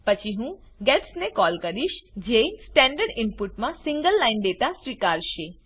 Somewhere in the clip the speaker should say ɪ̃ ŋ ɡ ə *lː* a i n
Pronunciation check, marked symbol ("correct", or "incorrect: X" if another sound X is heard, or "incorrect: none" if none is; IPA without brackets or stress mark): correct